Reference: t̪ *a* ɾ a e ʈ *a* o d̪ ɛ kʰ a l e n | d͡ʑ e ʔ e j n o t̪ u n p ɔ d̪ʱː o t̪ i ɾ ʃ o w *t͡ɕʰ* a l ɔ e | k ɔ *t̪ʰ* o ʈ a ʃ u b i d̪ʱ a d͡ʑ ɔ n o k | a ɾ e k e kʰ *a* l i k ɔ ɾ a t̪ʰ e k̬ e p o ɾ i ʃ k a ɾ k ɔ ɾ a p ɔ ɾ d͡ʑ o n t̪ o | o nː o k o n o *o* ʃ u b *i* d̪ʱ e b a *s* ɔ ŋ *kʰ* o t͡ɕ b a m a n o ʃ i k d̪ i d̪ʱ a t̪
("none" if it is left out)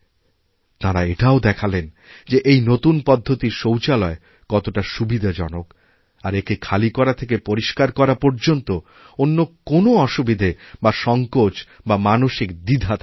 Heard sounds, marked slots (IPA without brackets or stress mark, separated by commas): a, a, t͡ɕ, t̪, a, ɔ, i, ʃ, k